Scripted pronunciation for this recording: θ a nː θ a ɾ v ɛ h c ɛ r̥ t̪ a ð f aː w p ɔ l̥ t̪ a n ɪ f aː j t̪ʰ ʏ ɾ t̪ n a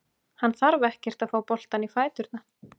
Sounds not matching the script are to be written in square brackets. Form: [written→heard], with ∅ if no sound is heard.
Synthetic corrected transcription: [θ→h] a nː θ a ɾ v ɛ h c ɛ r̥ t̪ a ð f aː w p ɔ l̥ t̪ a n [ɪ→i] f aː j [t̪ʰ→t̪] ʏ ɾ t̪ n a